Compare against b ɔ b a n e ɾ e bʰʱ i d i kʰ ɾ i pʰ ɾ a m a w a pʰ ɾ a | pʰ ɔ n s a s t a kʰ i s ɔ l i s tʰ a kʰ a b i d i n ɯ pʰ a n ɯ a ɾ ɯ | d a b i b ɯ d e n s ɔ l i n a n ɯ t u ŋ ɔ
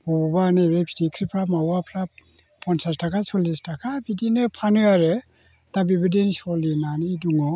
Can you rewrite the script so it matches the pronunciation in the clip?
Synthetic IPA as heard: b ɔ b a n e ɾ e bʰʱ i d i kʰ ɾ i pʰ ɾ a m a w a pʰ ɾ a | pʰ ɔ n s a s t a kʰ a s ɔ l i s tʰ a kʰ a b i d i n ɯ pʰ a n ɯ a ɾ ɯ | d a b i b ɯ d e n s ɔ l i n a n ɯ d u ŋ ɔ